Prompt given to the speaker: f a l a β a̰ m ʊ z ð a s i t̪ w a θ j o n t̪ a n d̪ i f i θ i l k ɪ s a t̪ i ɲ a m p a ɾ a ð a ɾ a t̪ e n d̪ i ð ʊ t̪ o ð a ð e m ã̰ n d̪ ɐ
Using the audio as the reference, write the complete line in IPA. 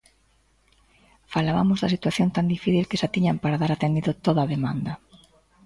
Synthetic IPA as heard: f a l a β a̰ m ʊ z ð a s i t̪ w a θ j o n t̪ a n d̪ i f i θ i l k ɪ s a t̪ i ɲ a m p a ɾ a ð a ɾ a t̪ e n d̪ i ð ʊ t̪ o ð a ð e m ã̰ n d̪ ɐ